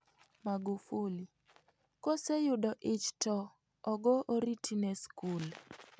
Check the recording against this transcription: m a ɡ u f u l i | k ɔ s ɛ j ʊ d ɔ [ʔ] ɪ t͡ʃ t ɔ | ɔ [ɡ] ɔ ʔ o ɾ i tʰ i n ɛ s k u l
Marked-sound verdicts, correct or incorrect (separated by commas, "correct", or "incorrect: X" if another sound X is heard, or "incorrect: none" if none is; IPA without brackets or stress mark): correct, correct